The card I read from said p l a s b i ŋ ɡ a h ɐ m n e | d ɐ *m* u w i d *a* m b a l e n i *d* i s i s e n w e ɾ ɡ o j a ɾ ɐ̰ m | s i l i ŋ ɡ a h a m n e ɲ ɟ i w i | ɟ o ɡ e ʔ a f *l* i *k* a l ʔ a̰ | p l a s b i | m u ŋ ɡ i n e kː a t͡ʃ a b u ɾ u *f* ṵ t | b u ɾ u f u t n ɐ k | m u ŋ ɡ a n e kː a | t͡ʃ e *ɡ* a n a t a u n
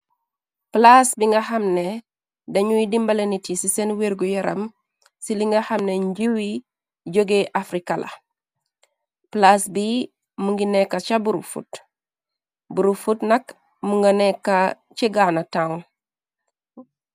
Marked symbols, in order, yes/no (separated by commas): no, no, no, no, yes, yes, yes